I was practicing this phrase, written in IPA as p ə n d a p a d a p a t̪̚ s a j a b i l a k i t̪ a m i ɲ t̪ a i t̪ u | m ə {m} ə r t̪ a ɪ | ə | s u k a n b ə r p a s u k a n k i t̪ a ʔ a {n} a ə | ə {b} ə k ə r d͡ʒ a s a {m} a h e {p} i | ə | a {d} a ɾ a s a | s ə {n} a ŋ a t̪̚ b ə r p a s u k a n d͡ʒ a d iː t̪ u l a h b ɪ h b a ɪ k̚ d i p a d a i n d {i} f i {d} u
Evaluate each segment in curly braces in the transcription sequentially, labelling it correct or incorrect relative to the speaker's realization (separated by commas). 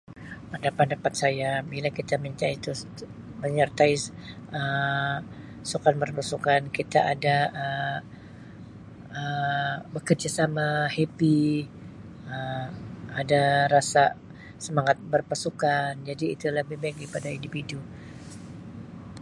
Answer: incorrect, incorrect, correct, correct, correct, correct, incorrect, correct, correct